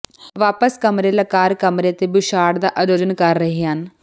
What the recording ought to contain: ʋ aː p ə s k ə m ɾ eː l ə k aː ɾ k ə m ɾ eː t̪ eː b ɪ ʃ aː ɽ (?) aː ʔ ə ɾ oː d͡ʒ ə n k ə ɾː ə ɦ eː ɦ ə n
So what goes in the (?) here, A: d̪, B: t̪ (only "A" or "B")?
A